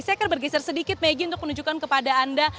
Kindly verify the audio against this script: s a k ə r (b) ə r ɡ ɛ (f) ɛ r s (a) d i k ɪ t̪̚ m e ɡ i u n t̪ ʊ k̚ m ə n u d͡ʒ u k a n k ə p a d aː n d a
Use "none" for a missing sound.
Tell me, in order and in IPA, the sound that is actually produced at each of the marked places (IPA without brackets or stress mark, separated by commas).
b, s, ə